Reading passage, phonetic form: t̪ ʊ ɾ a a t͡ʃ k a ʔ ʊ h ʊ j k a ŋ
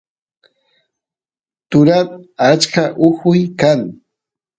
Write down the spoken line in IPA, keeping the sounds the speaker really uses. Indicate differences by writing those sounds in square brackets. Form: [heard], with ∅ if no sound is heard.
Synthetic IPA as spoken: t̪ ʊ ɾ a a t͡ʃ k a ʔ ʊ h ʊ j k a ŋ